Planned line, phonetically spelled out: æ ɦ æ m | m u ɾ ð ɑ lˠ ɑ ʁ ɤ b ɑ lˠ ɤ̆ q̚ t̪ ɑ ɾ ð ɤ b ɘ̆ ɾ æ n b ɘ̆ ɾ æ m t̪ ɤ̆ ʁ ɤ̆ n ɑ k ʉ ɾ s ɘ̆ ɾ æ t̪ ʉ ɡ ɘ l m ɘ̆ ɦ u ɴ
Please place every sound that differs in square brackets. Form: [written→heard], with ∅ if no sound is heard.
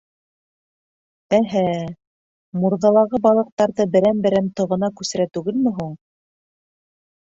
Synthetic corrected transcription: æ ɦ æ [m→∅] | m u ɾ ð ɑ lˠ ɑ ʁ ɤ b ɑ lˠ ɤ̆ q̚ t̪ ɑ ɾ ð ɤ b ɘ̆ ɾ æ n b ɘ̆ ɾ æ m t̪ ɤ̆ ʁ ɤ̆ n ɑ k ʉ [ɾ→∅] s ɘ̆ ɾ æ t̪ ʉ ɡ ɘ l m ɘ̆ ɦ u ɴ